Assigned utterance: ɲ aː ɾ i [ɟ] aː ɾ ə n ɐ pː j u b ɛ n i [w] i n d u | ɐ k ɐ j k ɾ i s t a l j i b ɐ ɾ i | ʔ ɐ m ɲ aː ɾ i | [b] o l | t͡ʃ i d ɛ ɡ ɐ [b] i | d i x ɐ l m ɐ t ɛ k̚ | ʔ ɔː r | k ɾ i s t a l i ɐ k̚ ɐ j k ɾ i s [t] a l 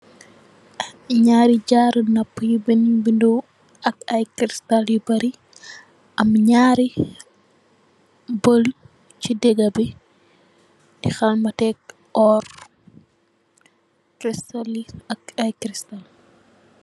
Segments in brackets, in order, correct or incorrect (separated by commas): correct, incorrect, correct, correct, correct